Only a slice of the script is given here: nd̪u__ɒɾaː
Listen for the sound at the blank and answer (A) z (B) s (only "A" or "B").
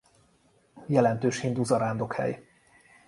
A